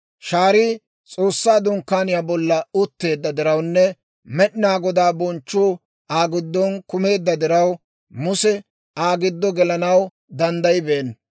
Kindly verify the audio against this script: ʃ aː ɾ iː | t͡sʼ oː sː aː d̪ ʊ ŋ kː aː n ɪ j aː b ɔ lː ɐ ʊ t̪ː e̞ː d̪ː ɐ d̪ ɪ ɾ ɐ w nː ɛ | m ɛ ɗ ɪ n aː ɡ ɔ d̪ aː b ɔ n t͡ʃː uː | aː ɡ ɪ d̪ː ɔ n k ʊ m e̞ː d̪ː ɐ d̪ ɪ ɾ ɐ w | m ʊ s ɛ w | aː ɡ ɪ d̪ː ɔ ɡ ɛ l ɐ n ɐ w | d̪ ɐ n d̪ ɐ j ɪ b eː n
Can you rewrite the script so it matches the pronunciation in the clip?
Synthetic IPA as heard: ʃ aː ɾ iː | t͡sʼ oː sː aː d̪ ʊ ŋ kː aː n ɪ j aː b ɔ lː ɐ ʊ t̪ː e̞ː d̪ː ɐ d̪ ɪ ɾ ɐ w nː ɛ | m ɛ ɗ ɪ n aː ɡ ɔ d̪ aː b ɔ n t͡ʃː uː | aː ɡ ɪ d̪ː ɔ n k ʊ m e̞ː d̪ː ɐ d̪ ɪ ɾ ɐ w | m ʊ s ɛ | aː ɡ ɪ d̪ː ɔ ɡ ɛ l ɐ n ɐ w | d̪ ɐ n d̪ ɐ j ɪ b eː n